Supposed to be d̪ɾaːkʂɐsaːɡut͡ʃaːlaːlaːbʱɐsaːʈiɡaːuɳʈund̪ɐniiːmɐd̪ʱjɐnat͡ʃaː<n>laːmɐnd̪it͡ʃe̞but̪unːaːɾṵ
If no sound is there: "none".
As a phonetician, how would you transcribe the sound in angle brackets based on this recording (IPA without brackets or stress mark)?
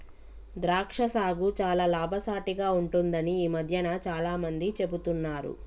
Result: none